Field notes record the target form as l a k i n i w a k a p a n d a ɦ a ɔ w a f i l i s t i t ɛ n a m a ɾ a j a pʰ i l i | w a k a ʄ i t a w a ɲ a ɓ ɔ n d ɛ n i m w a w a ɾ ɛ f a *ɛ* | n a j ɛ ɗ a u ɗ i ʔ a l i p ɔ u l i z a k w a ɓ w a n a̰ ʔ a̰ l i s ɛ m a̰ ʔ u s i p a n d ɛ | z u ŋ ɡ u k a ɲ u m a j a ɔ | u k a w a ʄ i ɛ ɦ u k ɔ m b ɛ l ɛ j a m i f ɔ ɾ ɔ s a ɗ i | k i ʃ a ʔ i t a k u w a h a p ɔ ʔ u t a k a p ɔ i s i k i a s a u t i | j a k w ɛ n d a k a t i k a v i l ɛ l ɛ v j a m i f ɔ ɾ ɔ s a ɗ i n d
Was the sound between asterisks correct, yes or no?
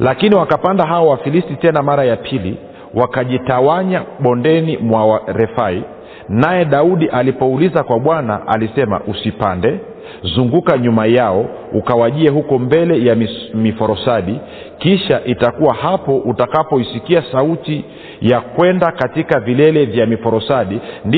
no